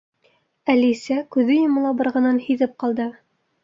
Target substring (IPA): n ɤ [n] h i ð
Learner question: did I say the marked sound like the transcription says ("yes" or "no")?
yes